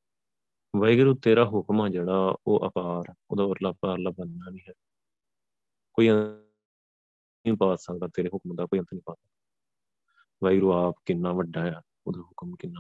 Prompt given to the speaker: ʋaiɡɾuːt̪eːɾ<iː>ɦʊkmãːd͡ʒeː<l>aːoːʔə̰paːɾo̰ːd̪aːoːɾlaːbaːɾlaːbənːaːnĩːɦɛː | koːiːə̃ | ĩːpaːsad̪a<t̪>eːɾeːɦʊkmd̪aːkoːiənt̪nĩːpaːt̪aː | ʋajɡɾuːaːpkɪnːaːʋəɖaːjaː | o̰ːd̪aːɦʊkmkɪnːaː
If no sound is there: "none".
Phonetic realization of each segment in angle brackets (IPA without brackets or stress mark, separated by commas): aː, ɽ, t̪